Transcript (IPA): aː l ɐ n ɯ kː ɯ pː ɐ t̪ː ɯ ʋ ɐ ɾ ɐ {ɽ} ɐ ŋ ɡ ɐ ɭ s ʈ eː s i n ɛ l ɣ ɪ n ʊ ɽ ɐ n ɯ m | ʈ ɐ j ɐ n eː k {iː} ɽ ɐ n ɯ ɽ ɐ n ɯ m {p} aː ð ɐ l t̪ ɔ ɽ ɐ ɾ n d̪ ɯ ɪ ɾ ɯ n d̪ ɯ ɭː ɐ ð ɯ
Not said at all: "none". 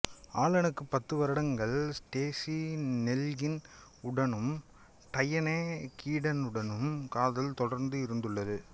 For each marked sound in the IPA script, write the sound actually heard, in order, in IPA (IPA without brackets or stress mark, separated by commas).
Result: ɽ, iː, k